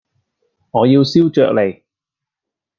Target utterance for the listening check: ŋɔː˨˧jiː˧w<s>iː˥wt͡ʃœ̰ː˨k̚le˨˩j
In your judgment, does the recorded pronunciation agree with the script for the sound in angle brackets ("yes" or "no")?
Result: yes